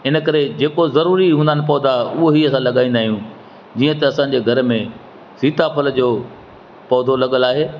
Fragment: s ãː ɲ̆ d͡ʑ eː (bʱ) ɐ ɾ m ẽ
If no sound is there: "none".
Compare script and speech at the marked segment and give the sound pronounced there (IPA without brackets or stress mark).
ɡʱ